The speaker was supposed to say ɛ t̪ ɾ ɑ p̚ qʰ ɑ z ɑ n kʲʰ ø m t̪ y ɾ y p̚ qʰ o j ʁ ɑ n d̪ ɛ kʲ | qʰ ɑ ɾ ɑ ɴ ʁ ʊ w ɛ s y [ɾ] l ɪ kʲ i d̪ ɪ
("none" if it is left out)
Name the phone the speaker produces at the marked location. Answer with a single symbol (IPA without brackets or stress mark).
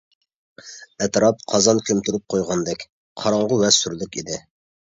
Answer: ɾ